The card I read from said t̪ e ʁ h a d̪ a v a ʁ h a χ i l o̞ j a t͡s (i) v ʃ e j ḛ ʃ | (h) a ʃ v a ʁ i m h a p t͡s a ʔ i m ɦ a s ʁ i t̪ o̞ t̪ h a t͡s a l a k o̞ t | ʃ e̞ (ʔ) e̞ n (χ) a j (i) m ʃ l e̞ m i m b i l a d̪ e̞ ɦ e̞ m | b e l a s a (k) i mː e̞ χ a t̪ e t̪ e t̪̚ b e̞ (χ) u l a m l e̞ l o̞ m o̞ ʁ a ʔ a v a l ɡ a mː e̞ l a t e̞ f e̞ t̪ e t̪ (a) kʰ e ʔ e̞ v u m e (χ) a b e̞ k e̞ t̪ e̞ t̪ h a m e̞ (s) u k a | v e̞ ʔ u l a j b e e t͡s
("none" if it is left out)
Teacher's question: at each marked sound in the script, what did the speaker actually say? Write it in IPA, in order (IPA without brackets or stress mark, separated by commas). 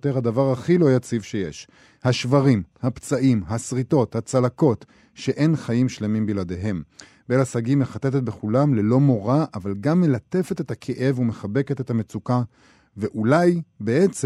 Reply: i, h, ʔ, χ, i, ɡ, χ, a, χ, t͡s